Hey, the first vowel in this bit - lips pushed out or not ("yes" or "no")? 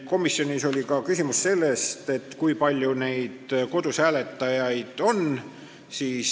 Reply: yes